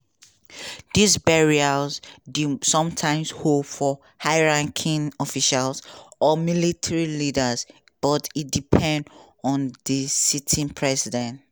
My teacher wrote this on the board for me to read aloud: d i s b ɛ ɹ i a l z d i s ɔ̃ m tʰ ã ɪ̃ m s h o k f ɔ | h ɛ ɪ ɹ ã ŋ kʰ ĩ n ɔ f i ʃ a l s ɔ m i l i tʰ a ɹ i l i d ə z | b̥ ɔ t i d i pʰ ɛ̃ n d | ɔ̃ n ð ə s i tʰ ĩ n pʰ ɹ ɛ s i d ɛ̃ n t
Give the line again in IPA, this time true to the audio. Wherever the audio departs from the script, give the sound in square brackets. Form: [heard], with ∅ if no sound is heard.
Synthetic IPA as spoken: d i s b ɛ ɹ i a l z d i s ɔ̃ m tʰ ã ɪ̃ m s h o [p] f ɔ | h [a] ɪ ɹ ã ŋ kʰ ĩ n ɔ f i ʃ a l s ɔ m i l i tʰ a ɹ i l i d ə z | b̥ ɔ t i d i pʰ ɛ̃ n d | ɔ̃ n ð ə s i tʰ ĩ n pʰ ɹ ɛ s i d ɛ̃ n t